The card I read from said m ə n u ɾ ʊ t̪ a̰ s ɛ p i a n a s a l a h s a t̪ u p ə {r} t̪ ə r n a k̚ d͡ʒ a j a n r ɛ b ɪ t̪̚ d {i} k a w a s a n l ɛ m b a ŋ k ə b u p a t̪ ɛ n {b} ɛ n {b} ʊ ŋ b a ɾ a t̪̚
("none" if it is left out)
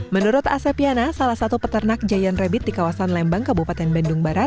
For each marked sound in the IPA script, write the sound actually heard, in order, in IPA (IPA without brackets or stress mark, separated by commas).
none, i, b, d